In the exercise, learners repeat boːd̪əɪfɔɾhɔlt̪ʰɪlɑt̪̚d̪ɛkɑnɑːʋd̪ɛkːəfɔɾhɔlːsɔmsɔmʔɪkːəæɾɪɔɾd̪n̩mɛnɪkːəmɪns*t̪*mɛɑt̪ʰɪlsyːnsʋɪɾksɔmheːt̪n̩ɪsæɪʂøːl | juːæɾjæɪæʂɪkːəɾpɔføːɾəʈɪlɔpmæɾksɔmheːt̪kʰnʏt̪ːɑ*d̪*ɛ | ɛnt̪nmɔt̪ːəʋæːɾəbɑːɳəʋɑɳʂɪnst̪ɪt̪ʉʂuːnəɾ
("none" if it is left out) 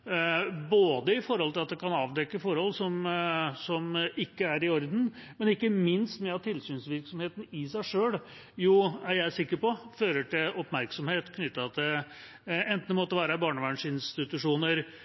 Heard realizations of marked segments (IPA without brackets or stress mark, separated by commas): t̪, t̪